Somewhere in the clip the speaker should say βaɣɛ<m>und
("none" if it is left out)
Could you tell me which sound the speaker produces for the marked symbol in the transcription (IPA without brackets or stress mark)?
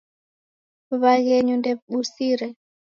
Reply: ɲ